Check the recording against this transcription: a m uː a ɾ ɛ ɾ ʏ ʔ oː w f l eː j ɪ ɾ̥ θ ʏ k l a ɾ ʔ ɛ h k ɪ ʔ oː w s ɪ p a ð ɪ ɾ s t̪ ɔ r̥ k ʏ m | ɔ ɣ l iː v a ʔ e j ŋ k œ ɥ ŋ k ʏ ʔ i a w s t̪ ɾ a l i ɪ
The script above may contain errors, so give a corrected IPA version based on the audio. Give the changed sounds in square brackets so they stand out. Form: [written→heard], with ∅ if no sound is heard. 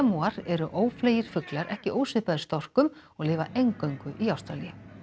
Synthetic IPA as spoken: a m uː a ɾ ɛ ɾ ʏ ʔ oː w f l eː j ɪ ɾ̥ [θ→f] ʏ k l a ɾ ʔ ɛ h [k→c] ɪ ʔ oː w s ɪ p a ð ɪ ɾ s t̪ ɔ r̥ k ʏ m | ɔ ɣ l [iː→ɪː] v a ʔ e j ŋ k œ ɥ ŋ k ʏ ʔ i a w s t̪ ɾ a l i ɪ